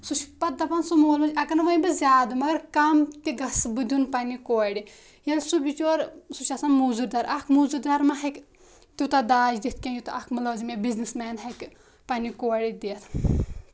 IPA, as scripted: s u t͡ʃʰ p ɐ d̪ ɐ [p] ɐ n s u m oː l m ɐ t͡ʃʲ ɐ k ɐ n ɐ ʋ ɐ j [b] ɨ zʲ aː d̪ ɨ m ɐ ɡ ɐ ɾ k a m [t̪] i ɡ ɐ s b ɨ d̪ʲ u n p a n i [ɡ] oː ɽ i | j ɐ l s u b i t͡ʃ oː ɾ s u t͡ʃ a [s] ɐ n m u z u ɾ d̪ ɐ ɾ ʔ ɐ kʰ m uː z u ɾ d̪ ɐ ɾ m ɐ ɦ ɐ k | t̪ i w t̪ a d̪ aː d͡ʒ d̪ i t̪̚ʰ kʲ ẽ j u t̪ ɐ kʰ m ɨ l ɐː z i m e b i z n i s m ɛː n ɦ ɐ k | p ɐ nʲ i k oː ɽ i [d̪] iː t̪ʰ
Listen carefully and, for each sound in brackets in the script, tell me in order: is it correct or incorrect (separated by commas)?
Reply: correct, correct, correct, incorrect, correct, correct